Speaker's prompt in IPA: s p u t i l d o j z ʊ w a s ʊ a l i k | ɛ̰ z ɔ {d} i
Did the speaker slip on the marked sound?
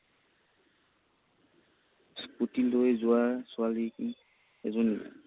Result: yes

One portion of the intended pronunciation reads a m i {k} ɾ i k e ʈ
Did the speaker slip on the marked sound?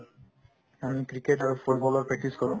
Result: no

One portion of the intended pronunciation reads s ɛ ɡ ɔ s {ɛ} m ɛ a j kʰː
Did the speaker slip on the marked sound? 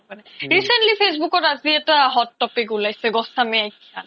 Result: yes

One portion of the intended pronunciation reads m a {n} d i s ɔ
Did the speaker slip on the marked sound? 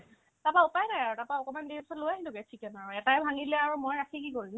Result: no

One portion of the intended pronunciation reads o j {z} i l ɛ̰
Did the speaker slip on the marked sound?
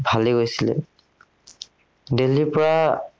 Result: yes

